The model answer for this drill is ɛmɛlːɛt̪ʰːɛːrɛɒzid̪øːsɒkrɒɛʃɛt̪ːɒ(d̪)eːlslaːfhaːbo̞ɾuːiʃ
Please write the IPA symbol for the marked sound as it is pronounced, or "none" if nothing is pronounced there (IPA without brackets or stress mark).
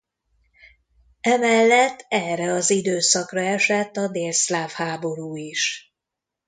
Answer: d̪